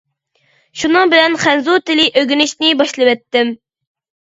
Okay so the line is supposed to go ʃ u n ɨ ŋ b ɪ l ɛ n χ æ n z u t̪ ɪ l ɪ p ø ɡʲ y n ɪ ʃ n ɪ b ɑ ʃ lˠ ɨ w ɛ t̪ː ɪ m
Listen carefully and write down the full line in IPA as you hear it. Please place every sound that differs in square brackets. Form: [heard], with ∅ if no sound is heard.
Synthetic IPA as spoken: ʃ u n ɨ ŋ b ɪ l ɛ n χ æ n z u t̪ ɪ l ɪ [ʔ] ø ɡʲ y n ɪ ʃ n ɪ b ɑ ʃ lˠ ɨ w ɛ t̪ː ɪ m